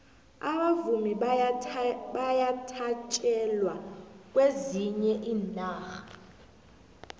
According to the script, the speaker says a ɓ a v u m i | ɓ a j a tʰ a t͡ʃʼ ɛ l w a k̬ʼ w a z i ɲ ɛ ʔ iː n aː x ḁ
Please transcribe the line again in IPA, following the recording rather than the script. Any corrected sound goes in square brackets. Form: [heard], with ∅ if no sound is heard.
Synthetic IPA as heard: a ɓ a v u m i | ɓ a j a tʰ a t͡ʃʼ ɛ l w a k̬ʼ w [e] z i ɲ ɛ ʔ iː n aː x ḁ